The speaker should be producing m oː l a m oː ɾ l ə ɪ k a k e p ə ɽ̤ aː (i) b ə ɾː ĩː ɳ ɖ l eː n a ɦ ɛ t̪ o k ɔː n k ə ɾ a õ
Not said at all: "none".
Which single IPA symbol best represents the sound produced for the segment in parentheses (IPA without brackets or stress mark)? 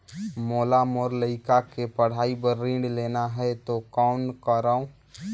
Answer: i